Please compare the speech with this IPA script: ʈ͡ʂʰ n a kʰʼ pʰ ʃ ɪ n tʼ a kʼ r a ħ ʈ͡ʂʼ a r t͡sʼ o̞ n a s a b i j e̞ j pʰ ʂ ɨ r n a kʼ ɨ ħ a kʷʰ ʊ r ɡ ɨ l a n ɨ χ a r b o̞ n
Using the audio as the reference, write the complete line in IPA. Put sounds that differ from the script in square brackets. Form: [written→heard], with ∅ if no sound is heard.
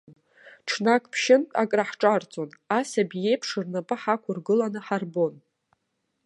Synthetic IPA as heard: ʈ͡ʂʰ n a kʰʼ pʰ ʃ ɪ n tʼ a kʼ r a ħ ʈ͡ʂʼ a r t͡sʼ o̞ n a s a b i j e̞ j pʰ ʂ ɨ r n a [kʼ→pʼ] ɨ ħ a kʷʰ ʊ r ɡ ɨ l a n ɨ [χ→ħ] a r b o̞ n